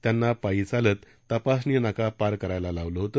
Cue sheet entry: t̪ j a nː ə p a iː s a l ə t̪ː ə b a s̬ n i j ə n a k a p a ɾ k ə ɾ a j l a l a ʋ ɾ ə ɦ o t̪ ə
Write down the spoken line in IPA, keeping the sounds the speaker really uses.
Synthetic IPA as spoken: t̪ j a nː a p a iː t͡s a l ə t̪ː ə p a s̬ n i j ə n a k a p a ɾ k ə ɾ a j l a l a ʋ l ə ɦ o t̪ ə